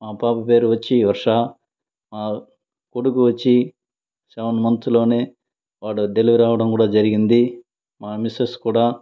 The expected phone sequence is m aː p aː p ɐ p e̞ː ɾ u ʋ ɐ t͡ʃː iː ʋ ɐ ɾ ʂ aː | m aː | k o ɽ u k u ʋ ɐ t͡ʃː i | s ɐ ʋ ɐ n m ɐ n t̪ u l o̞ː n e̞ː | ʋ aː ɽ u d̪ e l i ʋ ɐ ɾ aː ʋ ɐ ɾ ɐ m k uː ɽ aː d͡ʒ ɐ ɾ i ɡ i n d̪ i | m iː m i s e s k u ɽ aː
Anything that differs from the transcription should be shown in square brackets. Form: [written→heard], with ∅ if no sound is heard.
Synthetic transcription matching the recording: m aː p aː p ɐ p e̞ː ɾ u ʋ ɐ t͡ʃː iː ʋ ɐ ɾ ʂ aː | m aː | k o ɽ u k u ʋ ɐ t͡ʃː i | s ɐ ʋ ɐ n m ɐ n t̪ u l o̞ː n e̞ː | ʋ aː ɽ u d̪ e l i ʋ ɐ ɾ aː ʋ ɐ [ɾ→ɽ] ɐ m k uː ɽ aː d͡ʒ ɐ ɾ i ɡ i n d̪ i | m [iː→aː] m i s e s k [u→uː] ɽ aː